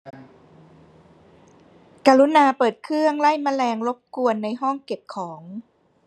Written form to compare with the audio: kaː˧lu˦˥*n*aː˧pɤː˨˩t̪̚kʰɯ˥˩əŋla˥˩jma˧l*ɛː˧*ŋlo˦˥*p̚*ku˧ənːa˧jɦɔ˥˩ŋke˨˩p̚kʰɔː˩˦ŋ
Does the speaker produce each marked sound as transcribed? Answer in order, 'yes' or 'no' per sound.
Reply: yes, yes, yes

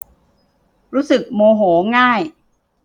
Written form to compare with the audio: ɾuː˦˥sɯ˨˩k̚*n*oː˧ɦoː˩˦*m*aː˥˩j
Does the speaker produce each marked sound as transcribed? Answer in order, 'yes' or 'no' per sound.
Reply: no, no

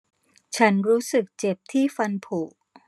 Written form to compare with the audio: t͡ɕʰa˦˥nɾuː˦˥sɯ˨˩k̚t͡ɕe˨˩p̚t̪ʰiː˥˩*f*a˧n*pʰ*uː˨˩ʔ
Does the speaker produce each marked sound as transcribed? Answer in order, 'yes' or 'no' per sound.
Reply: yes, yes

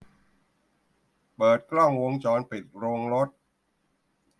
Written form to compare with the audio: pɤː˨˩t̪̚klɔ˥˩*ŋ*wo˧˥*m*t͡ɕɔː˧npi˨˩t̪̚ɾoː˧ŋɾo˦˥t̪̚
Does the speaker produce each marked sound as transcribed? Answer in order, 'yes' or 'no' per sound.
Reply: yes, no

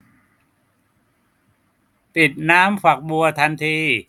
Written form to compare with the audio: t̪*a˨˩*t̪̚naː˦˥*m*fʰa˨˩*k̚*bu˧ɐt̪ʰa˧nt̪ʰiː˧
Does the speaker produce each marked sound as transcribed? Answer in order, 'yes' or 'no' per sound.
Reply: no, yes, yes

